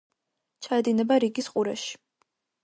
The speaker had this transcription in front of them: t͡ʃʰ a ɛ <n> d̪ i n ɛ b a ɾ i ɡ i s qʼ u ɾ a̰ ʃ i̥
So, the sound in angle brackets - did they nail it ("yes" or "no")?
no